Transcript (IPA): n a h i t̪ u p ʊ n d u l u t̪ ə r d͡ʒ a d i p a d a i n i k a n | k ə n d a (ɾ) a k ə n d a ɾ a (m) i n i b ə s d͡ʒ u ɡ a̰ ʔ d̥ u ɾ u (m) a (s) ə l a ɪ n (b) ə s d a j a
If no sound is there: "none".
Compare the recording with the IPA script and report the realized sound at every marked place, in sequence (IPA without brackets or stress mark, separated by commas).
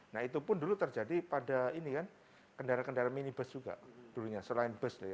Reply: ɾ, m, ɲ, s, b